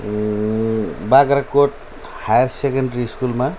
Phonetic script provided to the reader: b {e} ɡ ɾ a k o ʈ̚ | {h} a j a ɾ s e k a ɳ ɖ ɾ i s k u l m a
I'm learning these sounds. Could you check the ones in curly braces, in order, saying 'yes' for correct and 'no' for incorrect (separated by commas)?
no, yes